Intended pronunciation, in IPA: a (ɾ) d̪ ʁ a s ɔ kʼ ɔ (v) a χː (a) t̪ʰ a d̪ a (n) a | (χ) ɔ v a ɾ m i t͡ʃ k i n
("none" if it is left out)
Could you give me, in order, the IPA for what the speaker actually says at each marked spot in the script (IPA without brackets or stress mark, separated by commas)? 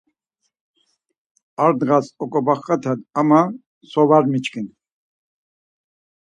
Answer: ɾ, b, a, m, s